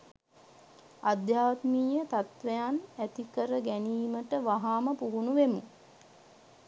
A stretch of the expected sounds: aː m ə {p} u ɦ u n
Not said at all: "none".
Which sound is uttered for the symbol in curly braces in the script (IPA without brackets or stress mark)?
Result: p